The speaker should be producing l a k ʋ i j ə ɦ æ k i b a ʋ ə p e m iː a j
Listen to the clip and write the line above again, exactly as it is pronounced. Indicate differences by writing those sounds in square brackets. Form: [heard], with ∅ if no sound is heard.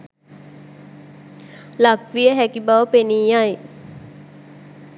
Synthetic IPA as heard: l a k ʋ i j ə ɦ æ k i b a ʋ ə p e [n] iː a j